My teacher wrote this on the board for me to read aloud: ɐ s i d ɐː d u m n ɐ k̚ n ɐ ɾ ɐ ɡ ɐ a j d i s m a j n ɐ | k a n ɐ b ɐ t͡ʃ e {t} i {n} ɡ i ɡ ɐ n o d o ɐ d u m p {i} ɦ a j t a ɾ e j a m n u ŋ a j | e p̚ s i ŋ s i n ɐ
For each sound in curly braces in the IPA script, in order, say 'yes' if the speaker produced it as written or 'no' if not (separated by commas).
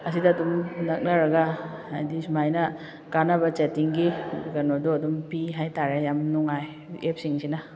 yes, no, yes